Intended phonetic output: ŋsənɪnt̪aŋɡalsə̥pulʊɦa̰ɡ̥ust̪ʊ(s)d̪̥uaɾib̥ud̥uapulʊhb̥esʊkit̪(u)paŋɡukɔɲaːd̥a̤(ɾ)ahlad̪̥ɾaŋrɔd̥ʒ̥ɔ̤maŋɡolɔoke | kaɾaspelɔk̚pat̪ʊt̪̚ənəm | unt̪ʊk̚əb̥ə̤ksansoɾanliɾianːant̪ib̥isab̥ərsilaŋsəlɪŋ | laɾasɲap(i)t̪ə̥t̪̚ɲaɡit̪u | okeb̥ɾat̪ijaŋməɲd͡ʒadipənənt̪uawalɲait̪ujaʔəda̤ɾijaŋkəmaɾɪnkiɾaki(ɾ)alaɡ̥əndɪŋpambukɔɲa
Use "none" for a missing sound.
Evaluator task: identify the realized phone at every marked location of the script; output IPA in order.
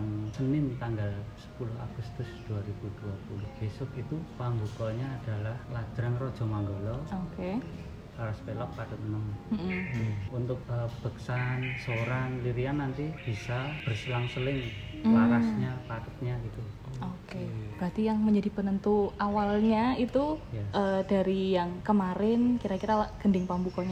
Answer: s, u, l, a, ɾ

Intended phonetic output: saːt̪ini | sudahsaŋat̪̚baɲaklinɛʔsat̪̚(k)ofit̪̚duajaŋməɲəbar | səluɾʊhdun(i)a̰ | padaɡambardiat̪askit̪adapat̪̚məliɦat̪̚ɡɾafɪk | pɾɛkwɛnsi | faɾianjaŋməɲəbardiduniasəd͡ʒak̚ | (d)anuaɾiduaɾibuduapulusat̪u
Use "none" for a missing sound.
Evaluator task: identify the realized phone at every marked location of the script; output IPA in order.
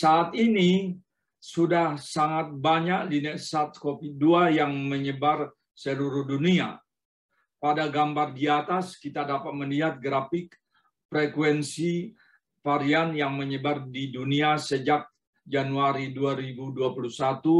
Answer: k, i, d͡ʒ

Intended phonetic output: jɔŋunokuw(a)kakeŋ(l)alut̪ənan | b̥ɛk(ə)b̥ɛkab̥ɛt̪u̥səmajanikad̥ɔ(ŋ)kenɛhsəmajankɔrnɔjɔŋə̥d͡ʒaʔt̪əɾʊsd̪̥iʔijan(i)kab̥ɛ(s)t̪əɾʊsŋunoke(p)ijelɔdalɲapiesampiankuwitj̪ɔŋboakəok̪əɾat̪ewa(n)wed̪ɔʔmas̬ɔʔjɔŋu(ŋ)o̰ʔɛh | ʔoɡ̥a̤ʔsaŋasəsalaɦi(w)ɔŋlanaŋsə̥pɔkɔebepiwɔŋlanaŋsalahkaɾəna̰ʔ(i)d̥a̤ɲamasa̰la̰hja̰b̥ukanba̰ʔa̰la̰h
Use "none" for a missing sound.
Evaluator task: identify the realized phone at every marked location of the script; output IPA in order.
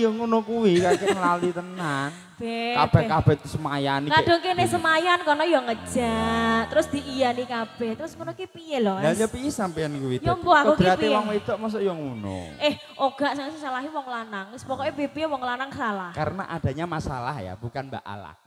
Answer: i, l, a, ŋ, i, h, p, ŋ, n, w, a

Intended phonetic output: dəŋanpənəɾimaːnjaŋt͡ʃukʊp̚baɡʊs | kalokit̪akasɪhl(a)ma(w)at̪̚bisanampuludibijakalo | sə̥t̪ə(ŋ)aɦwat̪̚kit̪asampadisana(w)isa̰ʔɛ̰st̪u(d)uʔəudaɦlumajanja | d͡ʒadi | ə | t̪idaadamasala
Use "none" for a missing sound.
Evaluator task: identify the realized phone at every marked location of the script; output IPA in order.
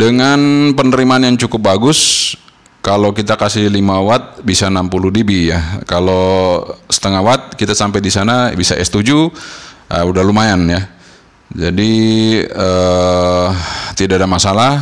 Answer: i, w, ŋ, b, d͡ʒ

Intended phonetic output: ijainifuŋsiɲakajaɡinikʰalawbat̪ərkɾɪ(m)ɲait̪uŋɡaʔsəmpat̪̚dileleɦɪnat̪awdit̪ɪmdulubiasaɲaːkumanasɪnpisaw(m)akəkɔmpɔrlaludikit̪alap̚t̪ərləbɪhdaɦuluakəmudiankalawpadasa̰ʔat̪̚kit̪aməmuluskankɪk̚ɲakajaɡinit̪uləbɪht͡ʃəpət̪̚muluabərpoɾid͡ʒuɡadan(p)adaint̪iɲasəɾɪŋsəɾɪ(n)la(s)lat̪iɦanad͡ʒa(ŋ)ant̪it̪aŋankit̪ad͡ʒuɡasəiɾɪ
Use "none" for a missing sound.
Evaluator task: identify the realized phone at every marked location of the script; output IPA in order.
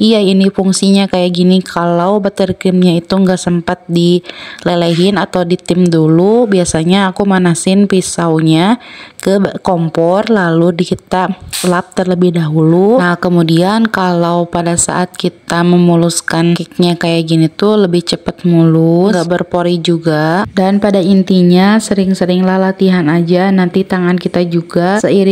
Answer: m, ɲ, p, ŋ, h, n

